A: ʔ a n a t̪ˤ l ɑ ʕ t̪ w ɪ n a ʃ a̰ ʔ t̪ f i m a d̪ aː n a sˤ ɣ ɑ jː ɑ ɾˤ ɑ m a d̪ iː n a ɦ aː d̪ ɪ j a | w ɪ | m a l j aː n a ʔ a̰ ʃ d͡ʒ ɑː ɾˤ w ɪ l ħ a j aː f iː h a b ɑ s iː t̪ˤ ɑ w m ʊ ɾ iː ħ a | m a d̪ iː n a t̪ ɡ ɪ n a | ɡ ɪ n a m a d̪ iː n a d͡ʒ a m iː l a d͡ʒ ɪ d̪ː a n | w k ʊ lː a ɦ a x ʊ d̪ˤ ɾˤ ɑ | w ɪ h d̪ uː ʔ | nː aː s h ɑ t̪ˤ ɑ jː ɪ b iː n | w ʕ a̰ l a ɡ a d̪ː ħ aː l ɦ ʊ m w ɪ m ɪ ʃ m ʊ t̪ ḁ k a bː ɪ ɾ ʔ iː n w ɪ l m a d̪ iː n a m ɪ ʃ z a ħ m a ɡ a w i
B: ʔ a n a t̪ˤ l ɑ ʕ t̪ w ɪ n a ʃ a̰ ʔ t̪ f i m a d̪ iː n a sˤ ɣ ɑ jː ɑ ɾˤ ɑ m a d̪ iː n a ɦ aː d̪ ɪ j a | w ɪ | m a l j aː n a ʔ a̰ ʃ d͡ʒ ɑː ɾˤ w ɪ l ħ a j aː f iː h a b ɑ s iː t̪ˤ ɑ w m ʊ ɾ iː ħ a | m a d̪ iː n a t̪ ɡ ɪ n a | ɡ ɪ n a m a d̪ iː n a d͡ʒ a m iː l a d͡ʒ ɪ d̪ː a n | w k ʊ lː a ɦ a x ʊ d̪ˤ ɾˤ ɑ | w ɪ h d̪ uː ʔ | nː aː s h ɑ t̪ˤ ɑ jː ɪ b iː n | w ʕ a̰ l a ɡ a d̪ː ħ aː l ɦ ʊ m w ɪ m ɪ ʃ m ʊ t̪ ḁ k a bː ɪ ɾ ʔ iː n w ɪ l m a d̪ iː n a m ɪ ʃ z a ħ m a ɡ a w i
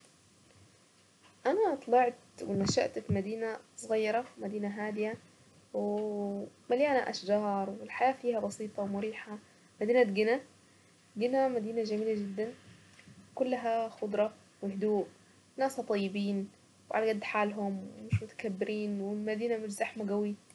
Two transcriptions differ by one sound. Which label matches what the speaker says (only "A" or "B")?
B